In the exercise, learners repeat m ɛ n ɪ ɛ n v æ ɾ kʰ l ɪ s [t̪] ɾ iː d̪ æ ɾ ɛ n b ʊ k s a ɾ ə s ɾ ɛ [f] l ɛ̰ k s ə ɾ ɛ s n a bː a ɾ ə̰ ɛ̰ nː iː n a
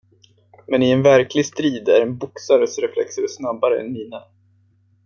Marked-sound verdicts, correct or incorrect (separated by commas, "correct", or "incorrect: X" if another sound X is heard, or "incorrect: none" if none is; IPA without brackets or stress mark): correct, correct